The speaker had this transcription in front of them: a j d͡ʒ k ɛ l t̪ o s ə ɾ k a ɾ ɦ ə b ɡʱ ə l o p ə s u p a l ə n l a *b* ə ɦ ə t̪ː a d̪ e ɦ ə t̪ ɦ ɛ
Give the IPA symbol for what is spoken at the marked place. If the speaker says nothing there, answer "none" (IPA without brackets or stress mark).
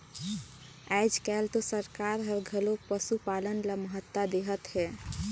m